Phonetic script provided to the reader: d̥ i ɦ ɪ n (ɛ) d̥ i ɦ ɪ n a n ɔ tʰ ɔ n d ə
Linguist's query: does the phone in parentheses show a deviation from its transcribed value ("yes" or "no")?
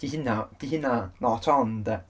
yes